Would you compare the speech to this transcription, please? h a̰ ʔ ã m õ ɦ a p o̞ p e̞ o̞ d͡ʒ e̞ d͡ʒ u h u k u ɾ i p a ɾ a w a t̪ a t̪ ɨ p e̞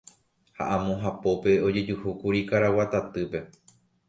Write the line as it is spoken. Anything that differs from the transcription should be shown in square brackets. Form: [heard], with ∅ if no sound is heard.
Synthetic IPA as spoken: h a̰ ʔ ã m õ ɦ a p o̞ p e̞ o̞ d͡ʒ e̞ d͡ʒ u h u k u ɾ i [k] a ɾ a w a t̪ a t̪ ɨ p e̞